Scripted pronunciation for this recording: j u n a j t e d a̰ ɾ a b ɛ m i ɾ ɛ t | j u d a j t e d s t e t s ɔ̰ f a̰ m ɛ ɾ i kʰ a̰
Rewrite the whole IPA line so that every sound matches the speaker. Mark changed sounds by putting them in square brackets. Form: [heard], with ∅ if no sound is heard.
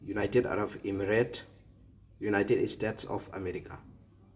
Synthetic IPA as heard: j u n a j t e d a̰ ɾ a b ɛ m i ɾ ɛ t | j u [n] a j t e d s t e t s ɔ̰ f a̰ m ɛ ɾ i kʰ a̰